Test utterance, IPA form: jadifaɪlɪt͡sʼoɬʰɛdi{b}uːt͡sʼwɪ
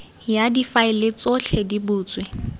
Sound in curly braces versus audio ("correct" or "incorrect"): correct